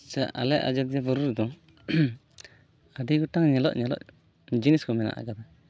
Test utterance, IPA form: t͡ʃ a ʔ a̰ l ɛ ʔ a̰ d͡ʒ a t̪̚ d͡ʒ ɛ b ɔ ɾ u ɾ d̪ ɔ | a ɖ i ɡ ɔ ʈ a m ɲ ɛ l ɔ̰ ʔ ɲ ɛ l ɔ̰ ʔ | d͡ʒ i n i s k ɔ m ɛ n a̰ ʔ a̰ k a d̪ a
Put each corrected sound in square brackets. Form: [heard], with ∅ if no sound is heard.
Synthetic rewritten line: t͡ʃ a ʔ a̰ l ɛ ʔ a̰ d͡ʒ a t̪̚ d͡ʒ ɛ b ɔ ɾ u ɾ d̪ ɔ | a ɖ i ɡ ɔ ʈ a [ŋ] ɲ ɛ l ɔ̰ ʔ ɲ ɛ l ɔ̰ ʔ | d͡ʒ i n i s k ɔ m ɛ n a̰ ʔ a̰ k a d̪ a